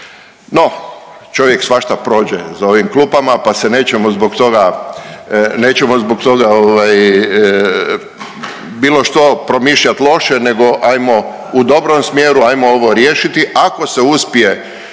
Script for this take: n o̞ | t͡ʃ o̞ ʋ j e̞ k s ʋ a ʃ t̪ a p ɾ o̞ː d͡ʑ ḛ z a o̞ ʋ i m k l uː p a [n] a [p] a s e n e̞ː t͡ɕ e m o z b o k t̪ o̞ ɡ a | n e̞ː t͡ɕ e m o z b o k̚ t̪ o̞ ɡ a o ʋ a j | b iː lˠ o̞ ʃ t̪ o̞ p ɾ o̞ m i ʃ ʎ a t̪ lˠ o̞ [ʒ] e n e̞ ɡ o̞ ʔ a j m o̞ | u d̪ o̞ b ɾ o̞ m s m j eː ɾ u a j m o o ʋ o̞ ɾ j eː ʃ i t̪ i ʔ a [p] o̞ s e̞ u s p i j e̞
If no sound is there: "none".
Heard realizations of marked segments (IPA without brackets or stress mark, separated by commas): m, p, ʃ, k